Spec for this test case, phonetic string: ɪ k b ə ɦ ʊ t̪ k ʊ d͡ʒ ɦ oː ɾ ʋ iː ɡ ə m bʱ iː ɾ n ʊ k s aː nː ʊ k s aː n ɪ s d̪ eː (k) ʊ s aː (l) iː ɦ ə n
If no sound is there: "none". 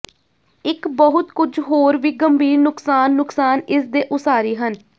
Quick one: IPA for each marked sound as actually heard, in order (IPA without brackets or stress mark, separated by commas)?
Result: ʔ, ɾ